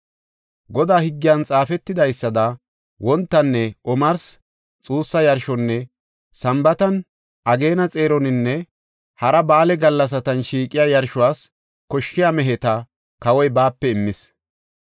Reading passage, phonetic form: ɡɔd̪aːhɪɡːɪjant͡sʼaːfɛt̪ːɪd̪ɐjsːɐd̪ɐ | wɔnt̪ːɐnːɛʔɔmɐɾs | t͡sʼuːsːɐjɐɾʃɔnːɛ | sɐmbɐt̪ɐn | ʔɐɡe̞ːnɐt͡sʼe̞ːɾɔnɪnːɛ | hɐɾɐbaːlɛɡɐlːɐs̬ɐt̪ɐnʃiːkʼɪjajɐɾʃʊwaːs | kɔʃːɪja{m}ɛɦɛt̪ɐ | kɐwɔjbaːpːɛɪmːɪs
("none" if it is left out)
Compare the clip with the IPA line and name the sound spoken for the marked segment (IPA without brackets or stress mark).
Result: m